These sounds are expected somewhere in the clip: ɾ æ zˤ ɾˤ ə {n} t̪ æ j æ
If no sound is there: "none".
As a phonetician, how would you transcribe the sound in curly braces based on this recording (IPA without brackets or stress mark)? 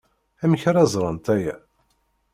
n